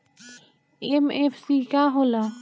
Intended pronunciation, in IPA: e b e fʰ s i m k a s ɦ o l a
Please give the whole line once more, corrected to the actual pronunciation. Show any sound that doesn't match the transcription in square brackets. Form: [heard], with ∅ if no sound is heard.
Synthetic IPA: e [m] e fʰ s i [∅] k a [∅] ɦ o l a